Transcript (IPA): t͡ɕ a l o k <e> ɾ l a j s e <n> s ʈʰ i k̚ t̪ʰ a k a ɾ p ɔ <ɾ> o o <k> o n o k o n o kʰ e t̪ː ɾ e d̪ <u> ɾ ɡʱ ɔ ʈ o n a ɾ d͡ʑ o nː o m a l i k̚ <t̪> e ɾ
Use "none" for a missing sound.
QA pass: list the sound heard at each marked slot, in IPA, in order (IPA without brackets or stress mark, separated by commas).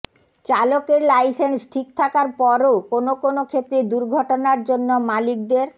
e, n, ɾ, k, u, d̪